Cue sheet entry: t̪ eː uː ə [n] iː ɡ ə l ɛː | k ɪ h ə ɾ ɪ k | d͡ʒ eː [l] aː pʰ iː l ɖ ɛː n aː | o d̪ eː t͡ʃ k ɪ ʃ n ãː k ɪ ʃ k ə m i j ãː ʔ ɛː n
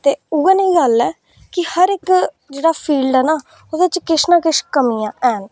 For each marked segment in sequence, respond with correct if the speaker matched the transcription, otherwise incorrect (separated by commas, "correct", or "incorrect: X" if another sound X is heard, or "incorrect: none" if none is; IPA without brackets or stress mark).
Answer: correct, incorrect: ɽ